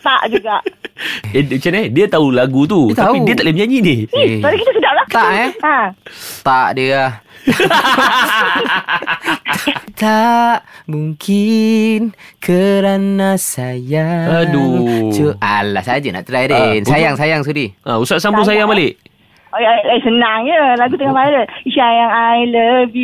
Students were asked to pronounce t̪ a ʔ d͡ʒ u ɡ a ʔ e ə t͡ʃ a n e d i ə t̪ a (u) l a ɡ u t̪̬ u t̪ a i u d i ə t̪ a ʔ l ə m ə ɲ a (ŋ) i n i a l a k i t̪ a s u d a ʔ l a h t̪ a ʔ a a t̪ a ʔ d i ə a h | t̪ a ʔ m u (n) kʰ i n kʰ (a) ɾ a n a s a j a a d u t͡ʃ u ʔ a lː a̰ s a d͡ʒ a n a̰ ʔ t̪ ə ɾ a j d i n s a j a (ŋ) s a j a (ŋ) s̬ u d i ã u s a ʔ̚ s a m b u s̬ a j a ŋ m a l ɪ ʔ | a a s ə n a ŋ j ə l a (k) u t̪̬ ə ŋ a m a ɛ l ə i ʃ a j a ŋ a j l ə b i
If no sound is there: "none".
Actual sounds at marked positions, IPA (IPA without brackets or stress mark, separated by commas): u, ɲ, ŋ, ə, ŋ, ŋ, ɡ